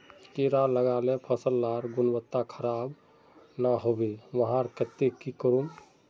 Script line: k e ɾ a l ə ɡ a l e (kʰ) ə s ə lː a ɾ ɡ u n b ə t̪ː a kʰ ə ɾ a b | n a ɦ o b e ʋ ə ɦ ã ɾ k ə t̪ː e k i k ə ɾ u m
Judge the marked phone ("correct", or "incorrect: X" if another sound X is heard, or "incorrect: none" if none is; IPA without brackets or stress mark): incorrect: pʰ